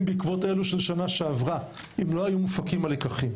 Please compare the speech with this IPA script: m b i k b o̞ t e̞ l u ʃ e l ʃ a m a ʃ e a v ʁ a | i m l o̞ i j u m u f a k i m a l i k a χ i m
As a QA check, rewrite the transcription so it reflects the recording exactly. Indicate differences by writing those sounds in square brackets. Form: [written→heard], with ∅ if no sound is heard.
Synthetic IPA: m b i k [b→v] o̞ t e̞ l u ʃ e l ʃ a [m→n] a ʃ e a v ʁ a | i m l o̞ [i→a] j u m u f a k i m a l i k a χ i m